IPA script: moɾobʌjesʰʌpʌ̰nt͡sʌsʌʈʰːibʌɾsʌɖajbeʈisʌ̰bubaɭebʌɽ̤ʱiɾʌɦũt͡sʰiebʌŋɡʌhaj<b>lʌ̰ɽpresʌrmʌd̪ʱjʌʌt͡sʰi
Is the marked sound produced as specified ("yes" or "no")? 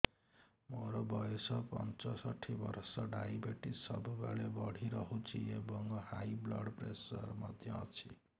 yes